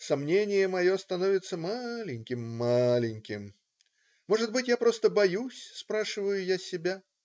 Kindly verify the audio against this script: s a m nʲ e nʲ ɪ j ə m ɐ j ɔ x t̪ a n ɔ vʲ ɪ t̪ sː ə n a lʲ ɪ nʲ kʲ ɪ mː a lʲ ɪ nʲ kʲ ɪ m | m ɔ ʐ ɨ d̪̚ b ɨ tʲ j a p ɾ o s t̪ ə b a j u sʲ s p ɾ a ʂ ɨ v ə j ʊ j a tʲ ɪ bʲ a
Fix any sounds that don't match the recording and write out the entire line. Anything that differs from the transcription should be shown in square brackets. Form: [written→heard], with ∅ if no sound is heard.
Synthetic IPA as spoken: s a m nʲ e nʲ ɪ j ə m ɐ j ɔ [x→s] t̪ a n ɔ vʲ ɪ t̪ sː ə [n→m] a lʲ ɪ nʲ kʲ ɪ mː a lʲ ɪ nʲ kʲ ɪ m | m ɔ ʐ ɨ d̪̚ b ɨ tʲ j a p ɾ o s t̪ ə b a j u sʲ s p ɾ a ʂ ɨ v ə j ʊ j a [tʲ→sʲ] ɪ bʲ a